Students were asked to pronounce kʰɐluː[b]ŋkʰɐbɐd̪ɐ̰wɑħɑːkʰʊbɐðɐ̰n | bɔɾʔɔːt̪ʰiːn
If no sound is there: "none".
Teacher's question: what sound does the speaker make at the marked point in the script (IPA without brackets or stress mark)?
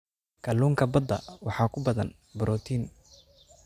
none